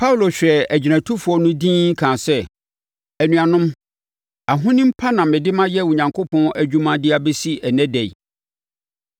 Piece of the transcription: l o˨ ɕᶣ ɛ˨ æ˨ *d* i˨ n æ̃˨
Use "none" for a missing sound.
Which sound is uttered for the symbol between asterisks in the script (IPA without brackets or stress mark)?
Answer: d͡ʑ